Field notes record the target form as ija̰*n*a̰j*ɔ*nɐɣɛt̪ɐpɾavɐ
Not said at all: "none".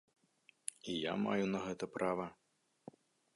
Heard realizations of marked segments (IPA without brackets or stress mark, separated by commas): m, u